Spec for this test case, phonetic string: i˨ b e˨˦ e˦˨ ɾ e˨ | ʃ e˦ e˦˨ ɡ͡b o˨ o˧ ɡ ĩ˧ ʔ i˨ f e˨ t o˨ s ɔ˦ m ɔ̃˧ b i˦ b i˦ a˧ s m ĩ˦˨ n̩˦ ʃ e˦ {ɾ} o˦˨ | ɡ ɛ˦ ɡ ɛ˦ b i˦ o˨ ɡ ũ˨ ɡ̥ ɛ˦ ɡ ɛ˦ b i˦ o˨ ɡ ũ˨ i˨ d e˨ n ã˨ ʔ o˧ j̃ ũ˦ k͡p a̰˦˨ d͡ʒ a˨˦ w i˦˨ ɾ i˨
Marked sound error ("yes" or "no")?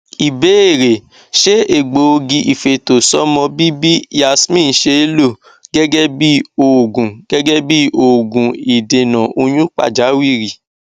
yes